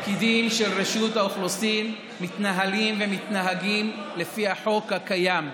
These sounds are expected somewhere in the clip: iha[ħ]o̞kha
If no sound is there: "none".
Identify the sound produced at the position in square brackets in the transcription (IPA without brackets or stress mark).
ħ